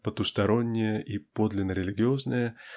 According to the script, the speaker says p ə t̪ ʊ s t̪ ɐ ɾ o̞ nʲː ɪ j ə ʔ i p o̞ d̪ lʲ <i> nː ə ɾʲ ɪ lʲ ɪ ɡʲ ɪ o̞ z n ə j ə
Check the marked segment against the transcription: incorrect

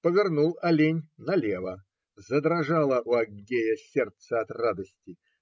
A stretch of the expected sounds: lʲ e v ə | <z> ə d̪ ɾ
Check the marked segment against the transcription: correct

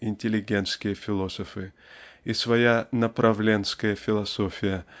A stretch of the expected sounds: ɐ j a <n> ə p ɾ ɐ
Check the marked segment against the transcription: correct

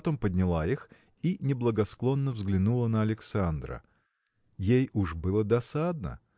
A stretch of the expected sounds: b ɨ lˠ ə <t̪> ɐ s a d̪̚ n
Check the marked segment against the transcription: incorrect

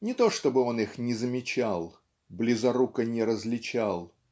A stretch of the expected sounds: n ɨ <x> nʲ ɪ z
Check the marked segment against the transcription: correct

